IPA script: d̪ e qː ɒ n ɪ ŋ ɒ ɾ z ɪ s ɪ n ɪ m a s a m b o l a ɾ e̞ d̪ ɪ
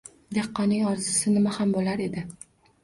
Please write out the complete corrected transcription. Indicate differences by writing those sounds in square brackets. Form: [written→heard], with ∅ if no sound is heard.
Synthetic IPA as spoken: d̪ e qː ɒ n ɪ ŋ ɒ ɾ z ɪ s ɪ n ɪ m a [s→h] a m b o l a ɾ e̞ d̪ ɪ